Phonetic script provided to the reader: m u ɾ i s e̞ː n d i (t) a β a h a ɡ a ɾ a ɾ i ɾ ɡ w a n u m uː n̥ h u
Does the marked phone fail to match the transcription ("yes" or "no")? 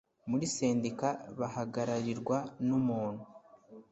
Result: yes